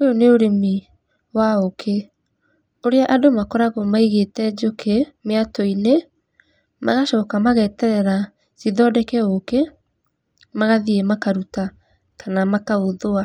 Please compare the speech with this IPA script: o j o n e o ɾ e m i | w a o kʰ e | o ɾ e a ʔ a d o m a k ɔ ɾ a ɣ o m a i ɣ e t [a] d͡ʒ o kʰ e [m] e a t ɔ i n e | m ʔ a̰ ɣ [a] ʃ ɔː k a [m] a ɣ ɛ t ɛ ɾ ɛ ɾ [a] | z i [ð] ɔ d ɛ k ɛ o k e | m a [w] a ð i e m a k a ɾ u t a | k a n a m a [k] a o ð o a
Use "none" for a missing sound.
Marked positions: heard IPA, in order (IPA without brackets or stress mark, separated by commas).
ɛ, m, a, m, a, ð, ɣ, k